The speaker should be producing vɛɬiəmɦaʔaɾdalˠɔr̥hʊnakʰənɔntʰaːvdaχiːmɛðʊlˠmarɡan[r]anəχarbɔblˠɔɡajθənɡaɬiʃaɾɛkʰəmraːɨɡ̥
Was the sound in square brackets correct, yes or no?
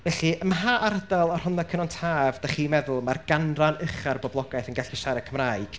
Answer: yes